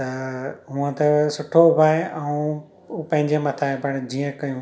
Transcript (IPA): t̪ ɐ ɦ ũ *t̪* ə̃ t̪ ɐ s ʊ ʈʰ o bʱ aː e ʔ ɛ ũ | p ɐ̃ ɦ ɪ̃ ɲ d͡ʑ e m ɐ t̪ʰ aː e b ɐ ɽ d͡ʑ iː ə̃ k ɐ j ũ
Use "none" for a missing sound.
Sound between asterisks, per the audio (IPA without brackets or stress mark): none